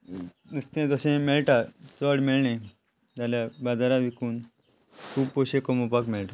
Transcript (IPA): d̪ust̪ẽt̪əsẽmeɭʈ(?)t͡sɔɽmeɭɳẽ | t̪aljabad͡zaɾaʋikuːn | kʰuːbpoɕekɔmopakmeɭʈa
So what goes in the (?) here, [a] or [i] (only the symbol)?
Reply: a